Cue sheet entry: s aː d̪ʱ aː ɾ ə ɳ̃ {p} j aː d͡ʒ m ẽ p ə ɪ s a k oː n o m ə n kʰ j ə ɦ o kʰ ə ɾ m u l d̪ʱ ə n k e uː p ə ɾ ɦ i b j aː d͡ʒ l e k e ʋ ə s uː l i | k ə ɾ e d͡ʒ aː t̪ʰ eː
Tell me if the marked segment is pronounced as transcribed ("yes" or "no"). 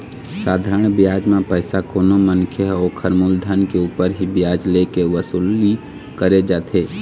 no